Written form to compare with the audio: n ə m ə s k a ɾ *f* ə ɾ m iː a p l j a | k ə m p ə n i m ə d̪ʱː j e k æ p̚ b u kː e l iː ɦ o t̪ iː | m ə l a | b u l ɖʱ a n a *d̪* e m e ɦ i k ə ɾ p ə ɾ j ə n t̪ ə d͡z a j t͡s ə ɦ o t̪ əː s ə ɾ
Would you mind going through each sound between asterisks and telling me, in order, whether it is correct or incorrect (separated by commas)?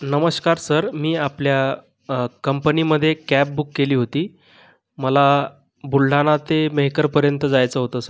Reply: incorrect, incorrect